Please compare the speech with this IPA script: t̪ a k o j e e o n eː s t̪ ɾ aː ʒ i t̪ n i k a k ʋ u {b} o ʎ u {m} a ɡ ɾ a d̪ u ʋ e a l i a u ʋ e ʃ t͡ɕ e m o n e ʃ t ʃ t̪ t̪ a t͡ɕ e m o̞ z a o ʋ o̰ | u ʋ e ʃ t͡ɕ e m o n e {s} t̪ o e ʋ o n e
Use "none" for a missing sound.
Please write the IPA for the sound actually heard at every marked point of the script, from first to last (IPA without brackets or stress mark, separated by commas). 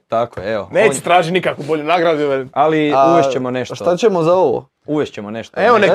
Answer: b, n, ʃ